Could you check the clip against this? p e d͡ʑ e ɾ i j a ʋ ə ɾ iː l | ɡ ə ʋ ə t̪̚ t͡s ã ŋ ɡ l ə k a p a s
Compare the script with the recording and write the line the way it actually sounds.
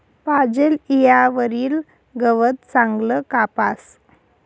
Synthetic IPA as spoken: p a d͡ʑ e l i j a ʋ ə ɾ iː l | ɡ ə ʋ ə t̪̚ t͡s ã ŋ ɡ l ə k a p a s